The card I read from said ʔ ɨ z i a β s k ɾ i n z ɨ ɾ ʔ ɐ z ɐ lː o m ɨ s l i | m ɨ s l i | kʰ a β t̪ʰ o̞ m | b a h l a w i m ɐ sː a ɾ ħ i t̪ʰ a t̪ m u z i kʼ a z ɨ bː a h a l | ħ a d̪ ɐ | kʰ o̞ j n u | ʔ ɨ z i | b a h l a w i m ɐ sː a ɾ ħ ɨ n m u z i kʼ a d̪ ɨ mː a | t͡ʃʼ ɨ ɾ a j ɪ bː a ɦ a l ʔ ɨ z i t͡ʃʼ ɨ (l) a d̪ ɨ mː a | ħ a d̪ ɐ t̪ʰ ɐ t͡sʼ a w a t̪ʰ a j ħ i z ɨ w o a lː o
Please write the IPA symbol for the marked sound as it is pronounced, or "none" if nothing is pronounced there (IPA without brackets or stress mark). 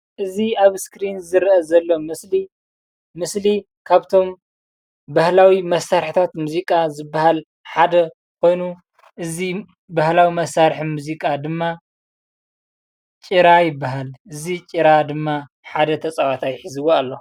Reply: ɾ